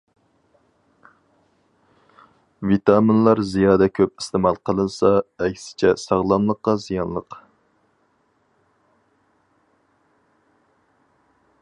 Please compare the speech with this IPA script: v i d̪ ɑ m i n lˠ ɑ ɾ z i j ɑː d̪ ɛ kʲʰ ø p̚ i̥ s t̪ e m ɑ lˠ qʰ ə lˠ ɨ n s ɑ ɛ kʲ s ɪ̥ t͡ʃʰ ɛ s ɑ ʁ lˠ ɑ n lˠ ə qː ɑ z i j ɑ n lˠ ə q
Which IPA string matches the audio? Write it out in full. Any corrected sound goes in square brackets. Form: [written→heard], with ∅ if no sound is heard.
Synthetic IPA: v i [d̪→t̪] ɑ m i n lˠ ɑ ɾ z i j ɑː d̪ ɛ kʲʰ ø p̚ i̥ s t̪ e m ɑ lˠ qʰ ə lˠ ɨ n s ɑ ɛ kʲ s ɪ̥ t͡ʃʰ ɛ s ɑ ʁ lˠ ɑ n lˠ ə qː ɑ z i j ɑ n lˠ ə q

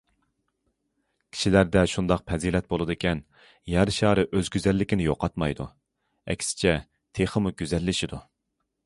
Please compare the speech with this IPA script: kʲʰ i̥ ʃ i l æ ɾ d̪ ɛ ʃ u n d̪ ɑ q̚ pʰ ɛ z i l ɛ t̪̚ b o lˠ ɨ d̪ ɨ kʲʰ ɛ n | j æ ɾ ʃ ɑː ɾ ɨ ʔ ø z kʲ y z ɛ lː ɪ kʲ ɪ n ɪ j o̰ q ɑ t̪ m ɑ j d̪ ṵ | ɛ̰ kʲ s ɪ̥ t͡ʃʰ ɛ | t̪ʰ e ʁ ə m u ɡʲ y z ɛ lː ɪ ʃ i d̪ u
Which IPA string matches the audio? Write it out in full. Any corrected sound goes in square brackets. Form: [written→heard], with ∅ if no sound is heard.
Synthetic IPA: kʲʰ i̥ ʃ i l æ ɾ d̪ ɛ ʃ u n d̪ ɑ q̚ pʰ ɛ z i l ɛ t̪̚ b o lˠ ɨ d̪ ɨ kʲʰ ɛ n | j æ ɾ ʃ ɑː ɾ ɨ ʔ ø z [kʲ→ɡʲ] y z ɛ lː ɪ kʲ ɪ n ɪ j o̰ q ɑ t̪ m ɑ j d̪ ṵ | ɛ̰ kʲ s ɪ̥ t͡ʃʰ ɛ | t̪ʰ e [ʁ→χ] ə m u ɡʲ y z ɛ lː ɪ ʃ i d̪ u

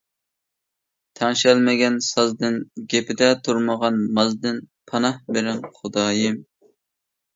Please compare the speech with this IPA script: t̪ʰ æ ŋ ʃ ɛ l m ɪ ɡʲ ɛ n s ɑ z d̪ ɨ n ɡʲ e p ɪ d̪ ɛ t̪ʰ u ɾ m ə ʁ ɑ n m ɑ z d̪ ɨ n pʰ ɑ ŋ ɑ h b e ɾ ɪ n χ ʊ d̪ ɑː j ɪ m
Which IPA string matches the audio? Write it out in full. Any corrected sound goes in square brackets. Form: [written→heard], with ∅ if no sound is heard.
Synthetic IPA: t̪ʰ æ ŋ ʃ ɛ l m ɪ ɡʲ ɛ n s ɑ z d̪ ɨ n ɡʲ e p ɪ d̪ ɛ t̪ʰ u ɾ m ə ʁ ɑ n m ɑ z d̪ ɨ n pʰ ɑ [ŋ→n] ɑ h b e ɾ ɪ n χ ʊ d̪ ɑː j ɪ m

